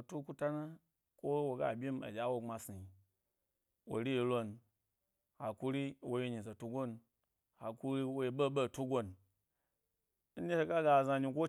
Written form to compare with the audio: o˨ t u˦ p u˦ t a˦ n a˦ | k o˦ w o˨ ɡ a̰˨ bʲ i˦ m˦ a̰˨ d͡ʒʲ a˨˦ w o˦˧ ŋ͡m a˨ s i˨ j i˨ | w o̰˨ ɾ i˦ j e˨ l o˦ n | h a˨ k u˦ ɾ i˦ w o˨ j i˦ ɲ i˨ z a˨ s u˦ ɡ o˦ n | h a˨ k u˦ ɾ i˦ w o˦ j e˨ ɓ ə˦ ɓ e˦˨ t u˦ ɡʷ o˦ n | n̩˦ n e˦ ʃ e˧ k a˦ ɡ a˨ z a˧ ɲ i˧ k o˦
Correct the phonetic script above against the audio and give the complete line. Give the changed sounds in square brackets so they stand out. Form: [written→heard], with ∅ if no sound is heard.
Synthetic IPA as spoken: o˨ t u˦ [p→k] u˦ t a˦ n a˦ | k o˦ w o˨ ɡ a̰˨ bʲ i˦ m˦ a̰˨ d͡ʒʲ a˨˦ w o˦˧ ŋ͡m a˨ s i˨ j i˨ | w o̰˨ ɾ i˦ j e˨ l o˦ n | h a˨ k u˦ ɾ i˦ w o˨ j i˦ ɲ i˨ z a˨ [s→t] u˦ ɡ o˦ n | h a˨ k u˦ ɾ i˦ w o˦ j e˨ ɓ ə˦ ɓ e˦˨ t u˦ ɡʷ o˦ n | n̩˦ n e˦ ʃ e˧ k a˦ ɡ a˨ z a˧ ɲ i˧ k o˦

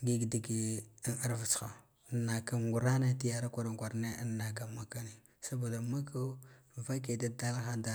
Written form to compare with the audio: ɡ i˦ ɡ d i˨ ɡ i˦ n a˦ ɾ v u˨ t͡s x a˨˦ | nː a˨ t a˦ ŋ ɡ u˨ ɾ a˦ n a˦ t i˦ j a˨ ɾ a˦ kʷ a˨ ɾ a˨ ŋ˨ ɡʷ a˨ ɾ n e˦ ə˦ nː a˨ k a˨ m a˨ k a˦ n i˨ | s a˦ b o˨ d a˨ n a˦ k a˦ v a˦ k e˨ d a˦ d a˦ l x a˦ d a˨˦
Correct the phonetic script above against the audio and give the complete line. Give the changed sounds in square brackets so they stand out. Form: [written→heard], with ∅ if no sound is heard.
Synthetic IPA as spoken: ɡ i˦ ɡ d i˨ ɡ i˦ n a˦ ɾ v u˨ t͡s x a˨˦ | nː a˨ [t→k] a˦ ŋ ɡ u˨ ɾ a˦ n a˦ t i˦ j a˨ ɾ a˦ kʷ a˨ ɾ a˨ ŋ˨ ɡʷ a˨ ɾ n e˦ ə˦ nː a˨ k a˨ m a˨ k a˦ n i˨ | s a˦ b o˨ d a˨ [n→m] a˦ k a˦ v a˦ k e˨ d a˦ d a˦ l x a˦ d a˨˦

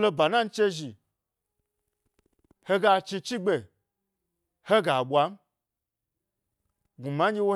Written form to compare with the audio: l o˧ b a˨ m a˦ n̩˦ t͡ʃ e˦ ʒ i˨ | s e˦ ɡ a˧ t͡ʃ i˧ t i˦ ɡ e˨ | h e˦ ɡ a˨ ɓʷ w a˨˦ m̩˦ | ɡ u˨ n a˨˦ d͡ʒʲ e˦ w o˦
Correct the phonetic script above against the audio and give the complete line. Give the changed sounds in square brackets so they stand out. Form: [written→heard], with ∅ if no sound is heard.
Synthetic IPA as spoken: l o˧ b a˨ [m→n] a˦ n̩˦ t͡ʃ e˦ ʒ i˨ | [s→h] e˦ ɡ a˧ t͡ʃ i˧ [t→t͡ʃ] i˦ [ɡ→ɡ͡b] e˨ | h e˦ ɡ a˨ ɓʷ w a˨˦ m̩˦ | ɡ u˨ [n→m] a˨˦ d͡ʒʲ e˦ w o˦

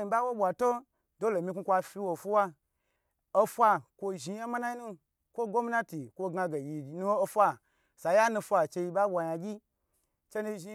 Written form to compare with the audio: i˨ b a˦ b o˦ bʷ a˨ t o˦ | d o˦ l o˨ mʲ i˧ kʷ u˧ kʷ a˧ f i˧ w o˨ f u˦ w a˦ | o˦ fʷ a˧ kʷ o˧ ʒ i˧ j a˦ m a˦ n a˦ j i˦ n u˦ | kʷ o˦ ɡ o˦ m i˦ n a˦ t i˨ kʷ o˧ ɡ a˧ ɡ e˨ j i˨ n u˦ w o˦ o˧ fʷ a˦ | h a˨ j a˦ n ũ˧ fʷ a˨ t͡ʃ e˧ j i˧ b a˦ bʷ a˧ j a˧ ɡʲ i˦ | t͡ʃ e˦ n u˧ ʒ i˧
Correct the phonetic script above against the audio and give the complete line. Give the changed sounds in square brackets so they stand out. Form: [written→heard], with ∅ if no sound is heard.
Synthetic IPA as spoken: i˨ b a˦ [b→w] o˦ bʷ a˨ t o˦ | d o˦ l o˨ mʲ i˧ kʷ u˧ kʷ a˧ f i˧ w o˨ f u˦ w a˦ | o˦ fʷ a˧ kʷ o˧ ʒ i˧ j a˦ m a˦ n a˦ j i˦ n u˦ | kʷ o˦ ɡ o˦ m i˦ n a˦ t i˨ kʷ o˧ ɡ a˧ ɡ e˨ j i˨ n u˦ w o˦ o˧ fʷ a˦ | [h→s] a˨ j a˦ n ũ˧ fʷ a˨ t͡ʃ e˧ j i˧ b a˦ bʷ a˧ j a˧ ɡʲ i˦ | t͡ʃ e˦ n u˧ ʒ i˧

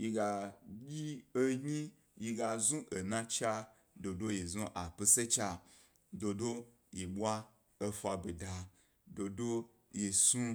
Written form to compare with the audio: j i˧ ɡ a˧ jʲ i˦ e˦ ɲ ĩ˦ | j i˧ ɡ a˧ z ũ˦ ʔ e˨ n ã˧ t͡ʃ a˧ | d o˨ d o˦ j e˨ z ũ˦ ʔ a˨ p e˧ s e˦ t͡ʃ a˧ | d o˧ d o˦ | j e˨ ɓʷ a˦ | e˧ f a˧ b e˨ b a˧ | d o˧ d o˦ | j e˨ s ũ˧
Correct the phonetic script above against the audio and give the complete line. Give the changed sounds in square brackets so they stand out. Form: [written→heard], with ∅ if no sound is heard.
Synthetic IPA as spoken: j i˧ ɡ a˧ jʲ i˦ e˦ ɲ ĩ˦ | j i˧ ɡ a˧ z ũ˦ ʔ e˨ n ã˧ t͡ʃ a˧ | d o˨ d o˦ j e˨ z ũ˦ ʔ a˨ p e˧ s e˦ t͡ʃ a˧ | d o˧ d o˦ | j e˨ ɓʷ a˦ | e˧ f a˧ b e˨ [b→d] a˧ | d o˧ d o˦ | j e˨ s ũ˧

